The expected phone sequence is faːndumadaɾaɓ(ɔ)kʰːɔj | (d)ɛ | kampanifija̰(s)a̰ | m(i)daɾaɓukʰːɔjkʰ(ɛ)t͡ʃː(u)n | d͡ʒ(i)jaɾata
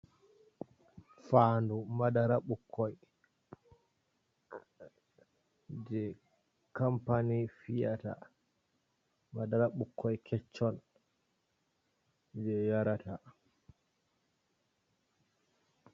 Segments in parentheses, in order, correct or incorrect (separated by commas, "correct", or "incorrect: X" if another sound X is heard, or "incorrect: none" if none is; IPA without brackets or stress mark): incorrect: u, incorrect: d͡ʒ, incorrect: t, incorrect: a, correct, incorrect: ɔ, incorrect: ɛ